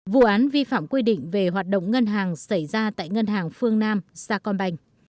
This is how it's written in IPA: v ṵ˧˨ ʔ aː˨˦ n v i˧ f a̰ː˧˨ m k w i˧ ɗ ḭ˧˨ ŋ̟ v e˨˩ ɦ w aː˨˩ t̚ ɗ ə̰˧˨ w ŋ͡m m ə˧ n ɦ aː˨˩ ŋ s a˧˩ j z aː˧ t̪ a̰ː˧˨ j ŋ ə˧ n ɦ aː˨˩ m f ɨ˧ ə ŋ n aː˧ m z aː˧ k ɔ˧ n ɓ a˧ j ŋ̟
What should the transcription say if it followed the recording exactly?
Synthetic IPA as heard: v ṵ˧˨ ʔ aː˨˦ n v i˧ f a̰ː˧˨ m k w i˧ ɗ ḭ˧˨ ŋ̟ v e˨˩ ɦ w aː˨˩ t̚ ɗ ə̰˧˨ w ŋ͡m ŋ ə˧ n ɦ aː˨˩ ŋ s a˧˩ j z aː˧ t̪ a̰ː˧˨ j ŋ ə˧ n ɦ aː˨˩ ŋ f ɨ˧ ə ŋ n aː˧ m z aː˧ k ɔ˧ n ɓ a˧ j ŋ̟